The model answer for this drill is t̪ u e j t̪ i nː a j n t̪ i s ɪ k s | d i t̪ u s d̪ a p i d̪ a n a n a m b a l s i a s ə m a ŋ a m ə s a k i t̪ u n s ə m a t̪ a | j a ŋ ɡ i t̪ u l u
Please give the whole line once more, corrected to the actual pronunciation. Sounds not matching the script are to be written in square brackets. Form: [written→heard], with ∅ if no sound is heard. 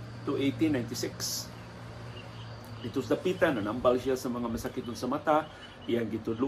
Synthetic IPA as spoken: t̪ u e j t̪ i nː a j n t̪ i s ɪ k s | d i t̪ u s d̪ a p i [d̪→t̪] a n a n a m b a l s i a s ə m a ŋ a m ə s a k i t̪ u n s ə m a t̪ a | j a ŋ ɡ i t̪ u l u